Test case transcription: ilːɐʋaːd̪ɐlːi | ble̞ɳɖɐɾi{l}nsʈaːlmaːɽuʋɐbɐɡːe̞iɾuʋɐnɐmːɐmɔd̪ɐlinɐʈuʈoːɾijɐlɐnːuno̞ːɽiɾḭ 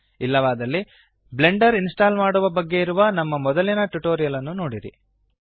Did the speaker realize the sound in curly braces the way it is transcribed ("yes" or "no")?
no